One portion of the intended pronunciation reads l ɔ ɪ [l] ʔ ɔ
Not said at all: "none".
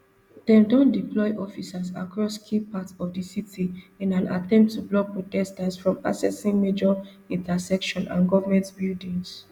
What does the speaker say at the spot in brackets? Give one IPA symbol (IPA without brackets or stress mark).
none